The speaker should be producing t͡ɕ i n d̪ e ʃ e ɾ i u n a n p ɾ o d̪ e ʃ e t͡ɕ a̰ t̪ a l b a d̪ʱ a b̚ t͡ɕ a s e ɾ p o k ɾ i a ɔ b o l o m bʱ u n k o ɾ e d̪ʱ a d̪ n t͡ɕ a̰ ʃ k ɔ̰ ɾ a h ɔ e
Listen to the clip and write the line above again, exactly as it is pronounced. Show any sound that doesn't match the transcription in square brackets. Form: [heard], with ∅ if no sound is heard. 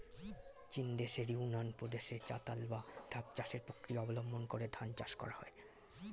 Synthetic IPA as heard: t͡ɕ i n d̪ e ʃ e ɾ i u n a n p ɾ o d̪ e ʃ e t͡ɕ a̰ t̪ a l b a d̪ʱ a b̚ t͡ɕ a [ʃ] e ɾ p o k ɾ i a ɔ b o l o m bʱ [o] n k o ɾ e d̪ʱ a [∅] n t͡ɕ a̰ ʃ k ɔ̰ ɾ a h ɔ e

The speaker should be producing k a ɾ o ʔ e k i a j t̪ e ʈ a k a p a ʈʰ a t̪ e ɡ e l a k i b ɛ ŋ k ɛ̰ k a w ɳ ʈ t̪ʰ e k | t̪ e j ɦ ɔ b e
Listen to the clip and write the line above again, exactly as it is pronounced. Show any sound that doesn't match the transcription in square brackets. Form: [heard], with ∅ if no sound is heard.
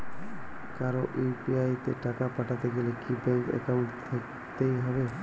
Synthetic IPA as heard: k a ɾ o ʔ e [p] i a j t̪ e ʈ a k a p a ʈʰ a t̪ e ɡ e l [e] k i b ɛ ŋ k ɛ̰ k a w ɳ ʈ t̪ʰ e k | t̪ e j ɦ ɔ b e

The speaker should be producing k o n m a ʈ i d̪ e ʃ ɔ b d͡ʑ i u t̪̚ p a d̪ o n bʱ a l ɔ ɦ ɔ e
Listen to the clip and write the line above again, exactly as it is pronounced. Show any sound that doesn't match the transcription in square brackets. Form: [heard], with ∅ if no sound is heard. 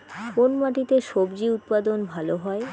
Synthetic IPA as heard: k o n m a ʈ i [t̪] e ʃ [o] b d͡ʑ i u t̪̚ p a d̪ o n bʱ a l [o] ɦ ɔ e

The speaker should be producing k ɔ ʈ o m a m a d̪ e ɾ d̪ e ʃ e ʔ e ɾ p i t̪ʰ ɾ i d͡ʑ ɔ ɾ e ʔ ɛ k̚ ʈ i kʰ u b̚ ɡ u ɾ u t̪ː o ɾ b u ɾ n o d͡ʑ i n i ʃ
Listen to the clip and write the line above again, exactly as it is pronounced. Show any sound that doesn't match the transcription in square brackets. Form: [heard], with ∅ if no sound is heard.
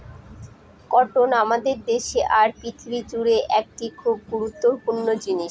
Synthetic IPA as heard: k ɔ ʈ o [n] a m a d̪ e ɾ d̪ e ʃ e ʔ [a] ɾ p i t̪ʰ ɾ i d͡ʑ [u] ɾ e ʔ ɛ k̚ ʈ i kʰ u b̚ ɡ u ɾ u t̪ː o ɾ [p] u ɾ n o d͡ʑ i n i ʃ

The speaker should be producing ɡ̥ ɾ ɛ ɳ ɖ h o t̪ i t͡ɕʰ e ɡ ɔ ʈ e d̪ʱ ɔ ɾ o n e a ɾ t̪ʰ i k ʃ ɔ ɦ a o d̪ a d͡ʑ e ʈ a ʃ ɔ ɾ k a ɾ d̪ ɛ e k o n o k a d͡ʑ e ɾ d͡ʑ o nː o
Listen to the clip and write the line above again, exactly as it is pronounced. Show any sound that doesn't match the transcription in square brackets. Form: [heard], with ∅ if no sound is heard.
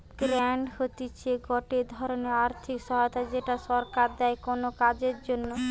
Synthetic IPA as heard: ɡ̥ ɾ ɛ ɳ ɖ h o t̪ i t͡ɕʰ e ɡ ɔ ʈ e d̪ʱ ɔ ɾ o n e a ɾ t̪ʰ i k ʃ ɔ ɦ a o [t̪] a d͡ʑ e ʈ a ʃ ɔ ɾ k a ɾ d̪ ɛ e k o n o k a d͡ʑ e ɾ d͡ʑ o nː o

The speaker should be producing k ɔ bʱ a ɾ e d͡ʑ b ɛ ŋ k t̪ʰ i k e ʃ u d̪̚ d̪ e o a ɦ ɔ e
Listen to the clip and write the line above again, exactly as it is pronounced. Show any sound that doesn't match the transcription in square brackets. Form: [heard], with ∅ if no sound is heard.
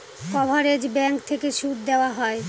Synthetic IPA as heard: k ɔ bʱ a ɾ e d͡ʑ b ɛ ŋ k t̪ʰ [e] k e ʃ u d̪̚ d̪ e o a ɦ ɔ e

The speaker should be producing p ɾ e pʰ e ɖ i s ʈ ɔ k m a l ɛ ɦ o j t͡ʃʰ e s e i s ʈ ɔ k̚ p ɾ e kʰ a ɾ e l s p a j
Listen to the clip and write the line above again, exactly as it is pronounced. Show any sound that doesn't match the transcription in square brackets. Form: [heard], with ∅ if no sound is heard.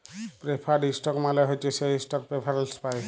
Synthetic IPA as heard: p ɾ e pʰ [a] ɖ i s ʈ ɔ k m a l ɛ ɦ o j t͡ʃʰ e s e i s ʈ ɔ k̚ p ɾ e [pʰ] a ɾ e l s p a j

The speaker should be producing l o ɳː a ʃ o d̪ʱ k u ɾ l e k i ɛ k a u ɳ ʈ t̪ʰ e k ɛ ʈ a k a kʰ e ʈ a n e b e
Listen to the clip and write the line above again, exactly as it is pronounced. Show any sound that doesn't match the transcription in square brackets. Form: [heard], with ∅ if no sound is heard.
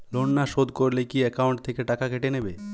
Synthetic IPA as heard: l o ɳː a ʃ o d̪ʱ k [o] ɾ l e k i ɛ k a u ɳ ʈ t̪ʰ e k [e] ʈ a k a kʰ e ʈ [e] n e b e

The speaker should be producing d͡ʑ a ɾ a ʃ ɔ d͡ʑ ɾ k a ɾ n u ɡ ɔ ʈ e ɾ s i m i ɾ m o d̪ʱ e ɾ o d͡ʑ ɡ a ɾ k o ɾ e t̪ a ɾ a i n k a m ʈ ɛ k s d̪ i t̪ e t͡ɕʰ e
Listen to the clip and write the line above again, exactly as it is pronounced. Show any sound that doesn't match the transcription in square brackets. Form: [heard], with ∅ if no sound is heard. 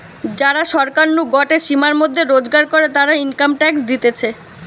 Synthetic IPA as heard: d͡ʑ a ɾ a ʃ ɔ [∅] ɾ k a ɾ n u ɡ ɔ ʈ e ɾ [ʃ] i m [a] ɾ m o [d̪ʱː] e ɾ o d͡ʑ ɡ a ɾ k o ɾ e t̪ a ɾ a i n k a m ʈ ɛ k s d̪ i t̪ e t͡ɕʰ e

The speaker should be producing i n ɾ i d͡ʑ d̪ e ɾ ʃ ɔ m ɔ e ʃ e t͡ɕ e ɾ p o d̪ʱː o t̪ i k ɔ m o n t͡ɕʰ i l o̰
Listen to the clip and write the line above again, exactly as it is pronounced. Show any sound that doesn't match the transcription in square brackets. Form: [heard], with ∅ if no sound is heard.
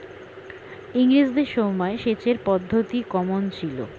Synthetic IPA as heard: i [ŋ] ɾ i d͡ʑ d̪ e ɾ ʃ ɔ m ɔ e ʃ e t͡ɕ e ɾ p [ɔ] d̪ʱː o t̪ i k ɔ m o n t͡ɕʰ i l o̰

